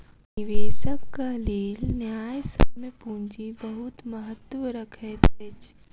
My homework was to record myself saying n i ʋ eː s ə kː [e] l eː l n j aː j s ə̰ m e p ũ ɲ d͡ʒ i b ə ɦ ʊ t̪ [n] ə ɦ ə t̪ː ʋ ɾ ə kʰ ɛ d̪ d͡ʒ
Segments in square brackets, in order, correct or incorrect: incorrect, incorrect

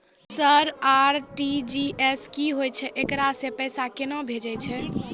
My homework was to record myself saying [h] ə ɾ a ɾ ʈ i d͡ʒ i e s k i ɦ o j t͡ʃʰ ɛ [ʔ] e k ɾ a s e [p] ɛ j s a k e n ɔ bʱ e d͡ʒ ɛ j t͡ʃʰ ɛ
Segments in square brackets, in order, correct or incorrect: incorrect, correct, correct

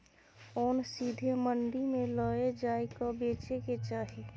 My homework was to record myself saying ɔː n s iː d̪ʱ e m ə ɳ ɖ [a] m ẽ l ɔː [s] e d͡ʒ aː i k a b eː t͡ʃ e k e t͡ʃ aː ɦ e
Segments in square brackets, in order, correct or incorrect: incorrect, incorrect

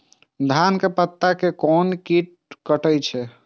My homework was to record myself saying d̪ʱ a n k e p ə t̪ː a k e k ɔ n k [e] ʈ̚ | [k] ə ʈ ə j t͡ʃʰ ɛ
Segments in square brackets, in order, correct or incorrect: incorrect, correct

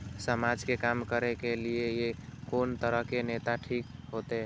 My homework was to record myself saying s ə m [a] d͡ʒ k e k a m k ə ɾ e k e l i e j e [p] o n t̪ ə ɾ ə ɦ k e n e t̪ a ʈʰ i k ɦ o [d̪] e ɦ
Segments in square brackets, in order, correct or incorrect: correct, incorrect, incorrect

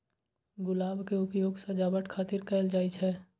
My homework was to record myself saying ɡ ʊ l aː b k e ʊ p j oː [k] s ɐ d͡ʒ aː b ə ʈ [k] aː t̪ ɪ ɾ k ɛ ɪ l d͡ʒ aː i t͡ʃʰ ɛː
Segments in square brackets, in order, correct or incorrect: incorrect, incorrect

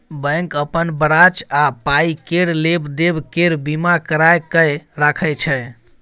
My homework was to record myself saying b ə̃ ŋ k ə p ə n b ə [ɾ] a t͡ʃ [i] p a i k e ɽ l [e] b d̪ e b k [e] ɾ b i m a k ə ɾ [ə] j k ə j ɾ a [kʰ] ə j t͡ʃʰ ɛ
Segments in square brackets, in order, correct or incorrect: correct, incorrect, correct, correct, incorrect, correct

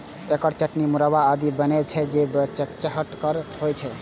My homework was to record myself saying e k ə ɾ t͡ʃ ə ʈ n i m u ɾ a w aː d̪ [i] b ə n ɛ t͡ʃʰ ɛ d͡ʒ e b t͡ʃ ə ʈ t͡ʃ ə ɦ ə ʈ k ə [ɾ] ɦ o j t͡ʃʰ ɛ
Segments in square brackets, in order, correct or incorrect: correct, correct

